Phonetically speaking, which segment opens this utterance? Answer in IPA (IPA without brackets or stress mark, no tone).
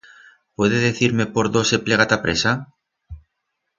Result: p